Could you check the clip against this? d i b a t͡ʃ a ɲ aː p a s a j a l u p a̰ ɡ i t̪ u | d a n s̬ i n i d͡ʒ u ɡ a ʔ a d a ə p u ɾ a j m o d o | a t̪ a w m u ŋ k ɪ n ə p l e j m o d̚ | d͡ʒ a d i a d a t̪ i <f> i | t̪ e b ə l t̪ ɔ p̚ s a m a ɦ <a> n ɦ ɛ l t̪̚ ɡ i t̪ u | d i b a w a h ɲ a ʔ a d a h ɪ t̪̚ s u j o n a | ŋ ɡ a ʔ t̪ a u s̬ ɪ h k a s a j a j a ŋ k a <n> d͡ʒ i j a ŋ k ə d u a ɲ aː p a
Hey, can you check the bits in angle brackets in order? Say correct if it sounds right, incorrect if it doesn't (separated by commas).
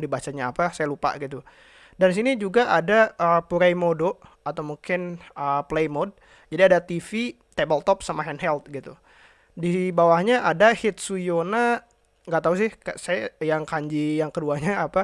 correct, incorrect, incorrect